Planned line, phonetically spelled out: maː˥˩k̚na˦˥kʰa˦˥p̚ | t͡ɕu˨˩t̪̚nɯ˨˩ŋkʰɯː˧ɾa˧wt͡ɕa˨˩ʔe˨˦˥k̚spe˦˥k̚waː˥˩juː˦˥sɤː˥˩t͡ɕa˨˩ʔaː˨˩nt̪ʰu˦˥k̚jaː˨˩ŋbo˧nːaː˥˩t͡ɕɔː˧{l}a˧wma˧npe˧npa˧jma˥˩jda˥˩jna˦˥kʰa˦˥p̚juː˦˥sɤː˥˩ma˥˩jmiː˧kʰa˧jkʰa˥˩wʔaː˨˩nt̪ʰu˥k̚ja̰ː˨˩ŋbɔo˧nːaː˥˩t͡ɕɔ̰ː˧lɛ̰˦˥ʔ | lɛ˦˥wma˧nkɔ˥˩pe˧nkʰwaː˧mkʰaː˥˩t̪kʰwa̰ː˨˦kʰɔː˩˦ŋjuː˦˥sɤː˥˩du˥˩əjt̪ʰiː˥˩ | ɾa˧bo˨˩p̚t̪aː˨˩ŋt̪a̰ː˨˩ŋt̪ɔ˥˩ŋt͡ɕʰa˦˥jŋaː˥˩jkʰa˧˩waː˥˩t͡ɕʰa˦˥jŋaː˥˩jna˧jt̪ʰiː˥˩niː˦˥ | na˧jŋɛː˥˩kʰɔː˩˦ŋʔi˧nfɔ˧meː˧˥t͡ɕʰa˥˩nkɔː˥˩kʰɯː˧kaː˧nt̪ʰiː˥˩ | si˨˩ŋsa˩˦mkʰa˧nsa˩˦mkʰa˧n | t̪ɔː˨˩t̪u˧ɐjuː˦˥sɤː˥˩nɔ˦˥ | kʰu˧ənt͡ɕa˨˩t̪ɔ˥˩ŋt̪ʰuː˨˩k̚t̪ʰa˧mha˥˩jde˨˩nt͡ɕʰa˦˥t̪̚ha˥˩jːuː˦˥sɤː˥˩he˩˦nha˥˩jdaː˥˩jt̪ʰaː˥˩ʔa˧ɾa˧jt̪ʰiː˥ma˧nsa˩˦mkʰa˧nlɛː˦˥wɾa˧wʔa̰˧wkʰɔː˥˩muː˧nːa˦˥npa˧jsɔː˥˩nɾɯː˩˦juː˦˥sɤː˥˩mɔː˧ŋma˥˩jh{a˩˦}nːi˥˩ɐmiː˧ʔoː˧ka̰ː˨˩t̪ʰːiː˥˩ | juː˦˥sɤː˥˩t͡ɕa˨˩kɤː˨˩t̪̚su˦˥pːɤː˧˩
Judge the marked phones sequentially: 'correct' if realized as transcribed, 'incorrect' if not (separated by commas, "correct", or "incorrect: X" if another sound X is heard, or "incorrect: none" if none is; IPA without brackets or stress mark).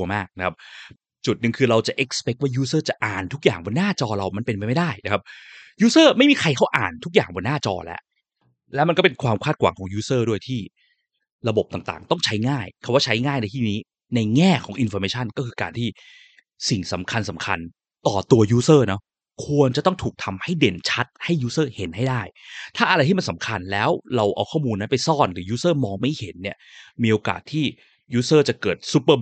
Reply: incorrect: ɾ, incorrect: e˩˦